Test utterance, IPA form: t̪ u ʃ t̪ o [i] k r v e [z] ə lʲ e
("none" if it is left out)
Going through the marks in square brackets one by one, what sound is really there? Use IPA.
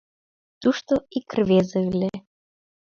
i, z

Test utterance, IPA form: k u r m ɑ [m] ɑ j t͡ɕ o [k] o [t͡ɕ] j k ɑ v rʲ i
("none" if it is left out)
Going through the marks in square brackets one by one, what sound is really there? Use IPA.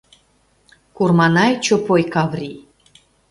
n, p, none

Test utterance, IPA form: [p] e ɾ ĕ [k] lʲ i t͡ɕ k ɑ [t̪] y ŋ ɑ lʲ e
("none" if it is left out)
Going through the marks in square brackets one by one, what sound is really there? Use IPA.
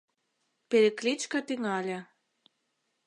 p, k, t̪

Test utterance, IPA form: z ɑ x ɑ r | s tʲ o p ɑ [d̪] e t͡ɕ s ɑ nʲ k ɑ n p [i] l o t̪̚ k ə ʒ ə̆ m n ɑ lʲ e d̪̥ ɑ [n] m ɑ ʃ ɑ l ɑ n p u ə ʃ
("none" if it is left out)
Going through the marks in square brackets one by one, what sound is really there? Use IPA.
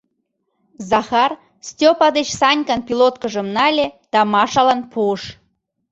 d̪, i, none

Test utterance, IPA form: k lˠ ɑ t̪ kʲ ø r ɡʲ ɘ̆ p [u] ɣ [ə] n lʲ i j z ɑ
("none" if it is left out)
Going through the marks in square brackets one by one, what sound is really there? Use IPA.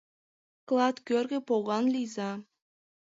o, ɑ

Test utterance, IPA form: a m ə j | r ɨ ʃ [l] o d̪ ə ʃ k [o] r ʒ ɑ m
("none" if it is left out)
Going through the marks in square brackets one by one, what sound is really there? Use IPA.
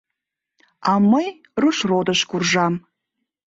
r, u

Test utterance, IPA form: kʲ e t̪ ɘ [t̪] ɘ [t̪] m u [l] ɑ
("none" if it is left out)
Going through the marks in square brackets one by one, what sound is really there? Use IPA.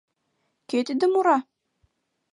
d̪, none, ɾ

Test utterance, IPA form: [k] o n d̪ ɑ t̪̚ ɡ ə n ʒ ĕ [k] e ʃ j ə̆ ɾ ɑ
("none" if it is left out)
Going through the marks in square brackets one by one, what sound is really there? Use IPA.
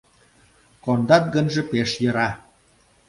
k, p

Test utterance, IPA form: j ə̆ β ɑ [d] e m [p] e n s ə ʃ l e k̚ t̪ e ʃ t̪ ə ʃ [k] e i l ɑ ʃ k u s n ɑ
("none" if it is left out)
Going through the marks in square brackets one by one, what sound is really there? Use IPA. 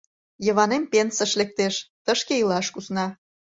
n, p, k

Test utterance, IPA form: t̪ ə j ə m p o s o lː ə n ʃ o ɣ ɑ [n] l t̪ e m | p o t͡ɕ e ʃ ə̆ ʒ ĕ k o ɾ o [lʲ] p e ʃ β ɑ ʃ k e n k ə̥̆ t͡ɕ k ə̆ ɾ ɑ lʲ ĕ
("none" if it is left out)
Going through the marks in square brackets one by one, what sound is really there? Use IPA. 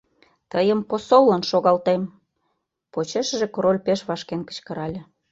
none, lʲ

